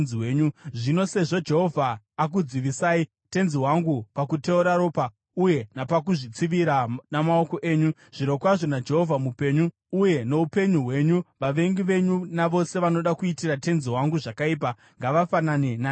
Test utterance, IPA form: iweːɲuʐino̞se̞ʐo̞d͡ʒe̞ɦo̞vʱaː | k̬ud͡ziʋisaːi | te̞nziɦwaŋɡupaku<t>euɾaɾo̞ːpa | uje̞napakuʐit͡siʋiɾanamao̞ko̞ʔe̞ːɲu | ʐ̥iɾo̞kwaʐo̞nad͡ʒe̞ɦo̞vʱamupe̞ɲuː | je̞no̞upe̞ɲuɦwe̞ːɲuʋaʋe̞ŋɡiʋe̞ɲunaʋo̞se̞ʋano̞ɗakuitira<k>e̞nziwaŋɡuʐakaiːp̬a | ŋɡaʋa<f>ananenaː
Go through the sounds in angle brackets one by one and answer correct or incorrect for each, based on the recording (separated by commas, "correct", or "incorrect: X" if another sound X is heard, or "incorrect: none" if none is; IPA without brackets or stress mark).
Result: correct, incorrect: t, correct